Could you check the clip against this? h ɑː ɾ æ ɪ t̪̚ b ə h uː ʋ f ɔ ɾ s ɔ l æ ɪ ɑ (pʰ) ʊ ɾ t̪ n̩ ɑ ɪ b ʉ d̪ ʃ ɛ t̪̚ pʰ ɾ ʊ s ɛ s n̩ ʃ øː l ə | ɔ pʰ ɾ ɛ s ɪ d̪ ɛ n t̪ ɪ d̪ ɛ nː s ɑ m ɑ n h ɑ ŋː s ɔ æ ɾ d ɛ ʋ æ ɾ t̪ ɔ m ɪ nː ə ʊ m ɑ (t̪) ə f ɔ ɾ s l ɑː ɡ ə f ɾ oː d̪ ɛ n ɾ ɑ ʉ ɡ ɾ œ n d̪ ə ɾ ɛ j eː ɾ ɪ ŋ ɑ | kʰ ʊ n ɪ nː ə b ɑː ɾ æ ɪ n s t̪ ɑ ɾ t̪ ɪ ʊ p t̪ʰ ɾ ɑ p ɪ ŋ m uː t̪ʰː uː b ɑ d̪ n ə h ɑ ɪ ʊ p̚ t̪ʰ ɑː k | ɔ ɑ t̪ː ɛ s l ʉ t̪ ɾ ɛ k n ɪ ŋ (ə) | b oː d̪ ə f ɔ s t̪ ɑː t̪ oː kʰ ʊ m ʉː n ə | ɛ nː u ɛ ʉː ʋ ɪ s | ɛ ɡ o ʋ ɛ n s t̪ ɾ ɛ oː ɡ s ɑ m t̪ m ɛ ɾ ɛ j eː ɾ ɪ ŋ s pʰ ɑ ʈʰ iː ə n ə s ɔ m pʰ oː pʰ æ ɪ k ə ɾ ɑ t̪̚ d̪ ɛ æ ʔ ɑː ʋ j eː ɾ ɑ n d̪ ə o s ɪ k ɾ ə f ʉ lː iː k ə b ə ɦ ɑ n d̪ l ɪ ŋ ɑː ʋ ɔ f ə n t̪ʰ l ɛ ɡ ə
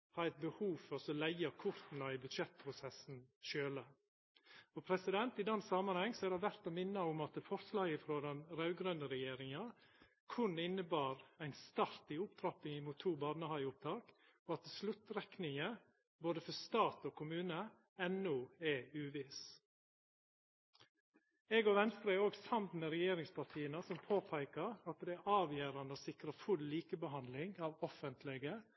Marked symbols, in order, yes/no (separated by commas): no, yes, yes